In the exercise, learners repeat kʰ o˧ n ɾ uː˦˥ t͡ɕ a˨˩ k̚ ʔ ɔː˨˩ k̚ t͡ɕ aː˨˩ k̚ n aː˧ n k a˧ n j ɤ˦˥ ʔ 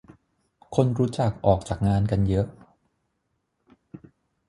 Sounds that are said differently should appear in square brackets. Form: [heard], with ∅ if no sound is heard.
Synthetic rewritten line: kʰ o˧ n ɾ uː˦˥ t͡ɕ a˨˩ k̚ ʔ ɔː˨˩ k̚ t͡ɕ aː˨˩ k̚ [ŋ] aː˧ n k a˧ n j ɤ˦˥ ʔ